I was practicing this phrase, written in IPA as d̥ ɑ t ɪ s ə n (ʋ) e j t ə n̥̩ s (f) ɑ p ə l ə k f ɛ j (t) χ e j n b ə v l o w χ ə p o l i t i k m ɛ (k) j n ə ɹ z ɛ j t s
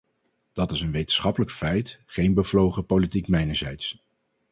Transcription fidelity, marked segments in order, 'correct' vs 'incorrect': correct, incorrect: χ, correct, incorrect: none

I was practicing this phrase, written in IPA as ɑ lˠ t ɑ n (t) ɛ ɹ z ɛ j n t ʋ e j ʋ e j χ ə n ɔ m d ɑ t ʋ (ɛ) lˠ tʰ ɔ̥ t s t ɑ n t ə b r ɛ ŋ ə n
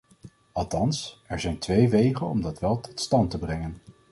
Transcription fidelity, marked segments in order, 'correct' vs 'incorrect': incorrect: s, correct

